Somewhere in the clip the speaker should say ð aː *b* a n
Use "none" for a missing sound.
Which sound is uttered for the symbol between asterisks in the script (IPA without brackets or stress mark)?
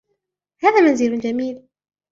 m